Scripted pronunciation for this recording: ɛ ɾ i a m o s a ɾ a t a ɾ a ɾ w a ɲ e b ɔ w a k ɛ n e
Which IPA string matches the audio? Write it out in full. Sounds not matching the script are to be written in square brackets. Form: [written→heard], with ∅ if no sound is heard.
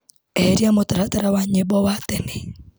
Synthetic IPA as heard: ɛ ɾ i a m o [s→t] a ɾ a t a ɾ a [ɾ→∅] w a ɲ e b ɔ w a [k→t] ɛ n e